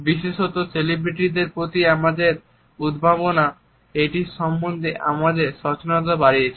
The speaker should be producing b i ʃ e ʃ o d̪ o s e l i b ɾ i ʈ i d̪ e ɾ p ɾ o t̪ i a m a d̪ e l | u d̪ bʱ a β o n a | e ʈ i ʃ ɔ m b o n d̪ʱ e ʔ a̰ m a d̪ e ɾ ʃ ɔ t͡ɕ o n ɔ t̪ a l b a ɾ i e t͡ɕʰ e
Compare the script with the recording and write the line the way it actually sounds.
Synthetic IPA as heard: b i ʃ e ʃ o t̪ o s e l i b ɾ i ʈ i d̪ e ɾ p ɾ o t̪ i a m a d̪ e ɾ | u d̪ bʱ a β o n a | e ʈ i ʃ ɔ m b o n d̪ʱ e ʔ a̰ m a d̪ e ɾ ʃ ɔ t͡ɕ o n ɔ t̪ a b a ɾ i e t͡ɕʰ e